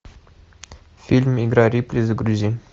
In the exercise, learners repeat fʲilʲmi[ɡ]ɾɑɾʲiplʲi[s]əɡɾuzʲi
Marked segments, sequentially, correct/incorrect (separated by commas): correct, incorrect